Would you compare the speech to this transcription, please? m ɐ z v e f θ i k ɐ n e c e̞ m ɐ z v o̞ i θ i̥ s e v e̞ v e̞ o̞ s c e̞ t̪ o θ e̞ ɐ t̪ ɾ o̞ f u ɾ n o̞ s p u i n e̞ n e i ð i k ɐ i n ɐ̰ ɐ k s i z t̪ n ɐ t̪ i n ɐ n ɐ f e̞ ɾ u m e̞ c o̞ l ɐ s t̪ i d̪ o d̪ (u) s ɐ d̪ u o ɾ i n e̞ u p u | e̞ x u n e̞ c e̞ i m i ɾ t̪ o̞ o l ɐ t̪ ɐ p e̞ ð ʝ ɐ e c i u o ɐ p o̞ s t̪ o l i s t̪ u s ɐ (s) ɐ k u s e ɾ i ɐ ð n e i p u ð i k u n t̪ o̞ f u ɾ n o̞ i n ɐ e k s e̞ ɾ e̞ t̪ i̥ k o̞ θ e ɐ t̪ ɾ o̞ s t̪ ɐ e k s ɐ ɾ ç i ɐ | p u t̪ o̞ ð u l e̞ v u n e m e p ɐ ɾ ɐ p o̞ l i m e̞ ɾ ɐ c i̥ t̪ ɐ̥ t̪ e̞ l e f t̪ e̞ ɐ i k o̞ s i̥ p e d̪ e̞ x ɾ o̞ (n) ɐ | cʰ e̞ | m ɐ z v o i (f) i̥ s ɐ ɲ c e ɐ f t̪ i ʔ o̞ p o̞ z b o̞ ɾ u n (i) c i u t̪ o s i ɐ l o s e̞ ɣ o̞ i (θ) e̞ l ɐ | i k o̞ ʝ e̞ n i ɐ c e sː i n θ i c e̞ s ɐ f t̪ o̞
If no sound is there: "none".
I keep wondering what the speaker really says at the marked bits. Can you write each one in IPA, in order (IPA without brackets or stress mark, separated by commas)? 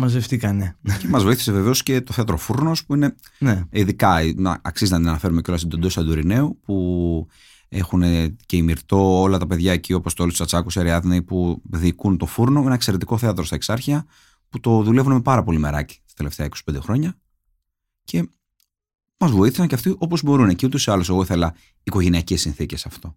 o, t͡s, ɲ, θ, e, θ